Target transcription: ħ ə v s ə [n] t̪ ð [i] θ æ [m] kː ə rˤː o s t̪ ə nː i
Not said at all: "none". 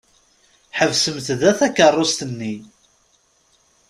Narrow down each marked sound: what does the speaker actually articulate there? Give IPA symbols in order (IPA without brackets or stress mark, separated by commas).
m, æ, none